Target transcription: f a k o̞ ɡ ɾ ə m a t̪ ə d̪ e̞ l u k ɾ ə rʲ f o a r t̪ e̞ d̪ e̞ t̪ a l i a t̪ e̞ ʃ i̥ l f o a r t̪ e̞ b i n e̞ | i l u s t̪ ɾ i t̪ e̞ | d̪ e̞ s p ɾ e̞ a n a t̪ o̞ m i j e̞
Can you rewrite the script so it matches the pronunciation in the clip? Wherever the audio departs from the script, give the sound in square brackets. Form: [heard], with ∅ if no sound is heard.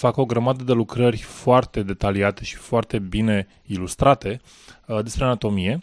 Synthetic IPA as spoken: f a k o̞ ɡ ɾ ə m a [d̪] ə d̪ e̞ l u k ɾ ə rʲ f o a r t̪ e̞ d̪ e̞ t̪ a l i a t̪ e̞ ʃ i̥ [∅] f o a r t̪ e̞ b i n e̞ | i l u s t̪ ɾ [a] t̪ e̞ | d̪ e̞ s p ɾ e̞ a n a t̪ o̞ m i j e̞